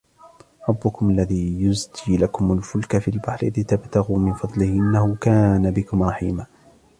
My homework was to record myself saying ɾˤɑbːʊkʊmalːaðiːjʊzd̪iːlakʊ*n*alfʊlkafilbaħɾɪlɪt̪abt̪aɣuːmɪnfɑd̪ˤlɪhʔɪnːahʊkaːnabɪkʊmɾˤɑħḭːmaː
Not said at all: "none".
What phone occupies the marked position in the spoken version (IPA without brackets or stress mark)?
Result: m